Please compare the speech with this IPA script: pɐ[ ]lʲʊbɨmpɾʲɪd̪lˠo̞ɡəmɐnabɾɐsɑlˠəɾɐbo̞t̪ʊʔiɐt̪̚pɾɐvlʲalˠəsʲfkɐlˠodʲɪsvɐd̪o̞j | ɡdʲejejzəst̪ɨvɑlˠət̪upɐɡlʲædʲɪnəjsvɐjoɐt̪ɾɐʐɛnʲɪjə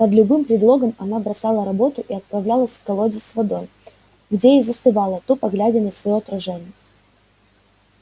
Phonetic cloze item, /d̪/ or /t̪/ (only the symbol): d̪